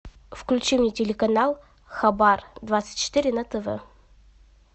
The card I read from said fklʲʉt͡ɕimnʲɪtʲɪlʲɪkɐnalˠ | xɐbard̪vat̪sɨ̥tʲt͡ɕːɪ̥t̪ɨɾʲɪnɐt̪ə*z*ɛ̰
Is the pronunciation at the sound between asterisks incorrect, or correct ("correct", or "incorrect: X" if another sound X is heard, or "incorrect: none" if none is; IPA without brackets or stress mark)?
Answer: incorrect: v